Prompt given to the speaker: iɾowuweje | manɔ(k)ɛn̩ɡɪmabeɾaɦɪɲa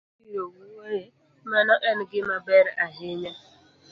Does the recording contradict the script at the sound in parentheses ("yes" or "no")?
yes